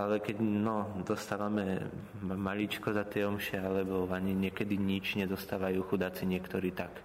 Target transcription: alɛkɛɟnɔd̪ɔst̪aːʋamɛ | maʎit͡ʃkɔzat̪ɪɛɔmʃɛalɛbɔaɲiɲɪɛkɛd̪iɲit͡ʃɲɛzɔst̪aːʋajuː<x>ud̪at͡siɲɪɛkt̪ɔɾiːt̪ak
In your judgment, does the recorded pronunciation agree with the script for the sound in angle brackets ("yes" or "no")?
yes